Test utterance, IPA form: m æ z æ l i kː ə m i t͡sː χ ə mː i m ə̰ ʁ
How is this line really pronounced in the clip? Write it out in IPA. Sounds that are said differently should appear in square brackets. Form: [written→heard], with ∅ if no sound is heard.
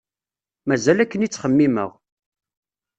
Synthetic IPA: m æ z æ l [i→æ] kː ə [m→n] i t͡sː χ ə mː i m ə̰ ʁ